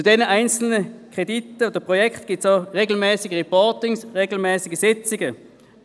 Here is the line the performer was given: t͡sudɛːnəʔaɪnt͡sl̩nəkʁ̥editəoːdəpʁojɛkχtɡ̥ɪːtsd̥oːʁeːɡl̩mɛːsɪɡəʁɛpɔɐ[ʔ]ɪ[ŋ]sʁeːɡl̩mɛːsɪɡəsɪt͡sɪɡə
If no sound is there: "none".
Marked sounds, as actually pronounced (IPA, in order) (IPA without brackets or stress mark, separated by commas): t, ŋ